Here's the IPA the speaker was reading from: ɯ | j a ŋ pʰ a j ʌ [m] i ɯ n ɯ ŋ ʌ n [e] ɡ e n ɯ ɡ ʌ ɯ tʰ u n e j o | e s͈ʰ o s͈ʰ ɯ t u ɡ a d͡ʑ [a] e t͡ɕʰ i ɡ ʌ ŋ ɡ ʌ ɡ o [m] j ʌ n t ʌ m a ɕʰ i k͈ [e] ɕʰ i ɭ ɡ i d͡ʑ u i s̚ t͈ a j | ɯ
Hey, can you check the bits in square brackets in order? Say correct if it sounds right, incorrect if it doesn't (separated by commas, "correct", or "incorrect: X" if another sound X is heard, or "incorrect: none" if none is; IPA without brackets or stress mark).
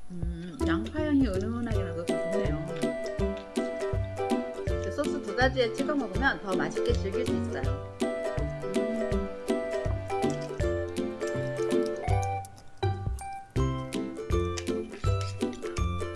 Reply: incorrect: ŋ, incorrect: a, incorrect: i, correct, correct